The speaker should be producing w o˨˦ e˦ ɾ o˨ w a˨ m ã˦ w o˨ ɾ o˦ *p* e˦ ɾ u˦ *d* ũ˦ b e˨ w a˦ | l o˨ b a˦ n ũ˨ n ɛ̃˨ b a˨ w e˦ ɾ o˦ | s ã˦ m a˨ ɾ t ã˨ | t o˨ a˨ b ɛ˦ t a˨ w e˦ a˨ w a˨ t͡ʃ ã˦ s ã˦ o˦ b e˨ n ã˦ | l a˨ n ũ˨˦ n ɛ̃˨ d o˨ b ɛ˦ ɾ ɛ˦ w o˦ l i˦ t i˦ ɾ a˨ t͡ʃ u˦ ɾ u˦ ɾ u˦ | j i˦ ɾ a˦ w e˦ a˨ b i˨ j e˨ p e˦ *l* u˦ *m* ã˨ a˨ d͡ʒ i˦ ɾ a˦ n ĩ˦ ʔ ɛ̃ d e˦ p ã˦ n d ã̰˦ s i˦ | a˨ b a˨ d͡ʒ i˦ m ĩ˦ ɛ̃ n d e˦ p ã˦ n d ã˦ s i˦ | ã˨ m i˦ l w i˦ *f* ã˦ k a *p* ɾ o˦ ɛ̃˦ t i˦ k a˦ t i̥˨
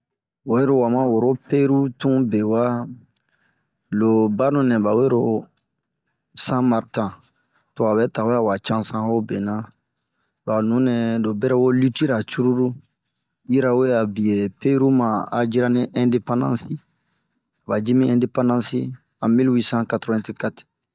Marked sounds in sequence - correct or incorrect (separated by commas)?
correct, incorrect, incorrect, correct, incorrect, incorrect